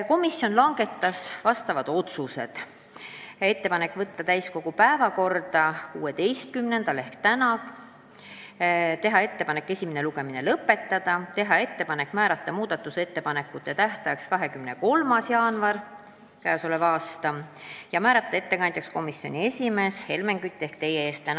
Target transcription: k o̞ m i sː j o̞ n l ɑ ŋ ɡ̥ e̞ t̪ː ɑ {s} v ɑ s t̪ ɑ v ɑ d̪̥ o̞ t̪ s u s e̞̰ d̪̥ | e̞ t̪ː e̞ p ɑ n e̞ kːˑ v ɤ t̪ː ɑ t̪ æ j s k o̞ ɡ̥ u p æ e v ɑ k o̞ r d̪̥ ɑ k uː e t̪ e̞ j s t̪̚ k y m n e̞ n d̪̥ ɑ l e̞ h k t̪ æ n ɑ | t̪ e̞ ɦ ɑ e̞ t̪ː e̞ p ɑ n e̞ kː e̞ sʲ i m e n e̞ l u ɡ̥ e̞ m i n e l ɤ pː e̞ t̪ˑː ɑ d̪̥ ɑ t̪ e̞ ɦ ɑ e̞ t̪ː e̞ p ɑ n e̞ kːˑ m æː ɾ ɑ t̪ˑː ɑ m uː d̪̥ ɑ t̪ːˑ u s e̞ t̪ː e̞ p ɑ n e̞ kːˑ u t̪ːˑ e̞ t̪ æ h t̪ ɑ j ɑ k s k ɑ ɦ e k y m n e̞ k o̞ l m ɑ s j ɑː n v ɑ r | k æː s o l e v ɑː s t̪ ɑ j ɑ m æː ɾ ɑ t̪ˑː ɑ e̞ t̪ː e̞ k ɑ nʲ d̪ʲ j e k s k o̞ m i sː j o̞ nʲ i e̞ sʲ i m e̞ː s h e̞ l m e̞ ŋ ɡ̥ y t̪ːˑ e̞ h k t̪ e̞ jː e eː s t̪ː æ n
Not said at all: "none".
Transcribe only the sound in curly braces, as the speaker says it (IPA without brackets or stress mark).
s